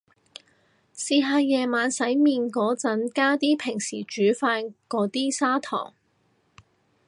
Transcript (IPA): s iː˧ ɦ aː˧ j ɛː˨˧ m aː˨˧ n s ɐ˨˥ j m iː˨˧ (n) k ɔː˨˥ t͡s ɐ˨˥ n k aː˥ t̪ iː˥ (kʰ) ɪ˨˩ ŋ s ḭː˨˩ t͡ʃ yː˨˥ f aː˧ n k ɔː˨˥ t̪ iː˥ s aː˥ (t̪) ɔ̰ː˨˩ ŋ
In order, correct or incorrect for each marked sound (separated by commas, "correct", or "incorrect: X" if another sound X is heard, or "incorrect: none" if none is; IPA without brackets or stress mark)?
correct, incorrect: pʰ, incorrect: t̪ʰ